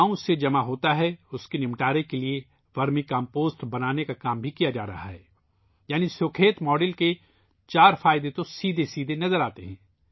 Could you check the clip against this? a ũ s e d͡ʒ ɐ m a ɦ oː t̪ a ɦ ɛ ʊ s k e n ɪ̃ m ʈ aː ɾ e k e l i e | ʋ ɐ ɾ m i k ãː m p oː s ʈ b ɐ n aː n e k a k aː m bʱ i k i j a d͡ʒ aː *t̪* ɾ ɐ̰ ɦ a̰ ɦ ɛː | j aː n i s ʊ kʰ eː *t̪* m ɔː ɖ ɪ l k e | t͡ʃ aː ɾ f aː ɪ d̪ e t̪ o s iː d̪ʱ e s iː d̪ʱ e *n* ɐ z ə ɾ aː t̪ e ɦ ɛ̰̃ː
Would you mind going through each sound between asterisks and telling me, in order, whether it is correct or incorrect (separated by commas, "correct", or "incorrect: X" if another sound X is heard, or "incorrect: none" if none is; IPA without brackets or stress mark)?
incorrect: none, correct, correct